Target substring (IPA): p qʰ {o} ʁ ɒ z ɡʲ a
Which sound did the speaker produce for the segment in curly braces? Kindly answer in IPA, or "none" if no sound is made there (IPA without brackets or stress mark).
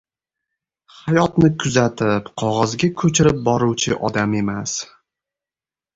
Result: ɒ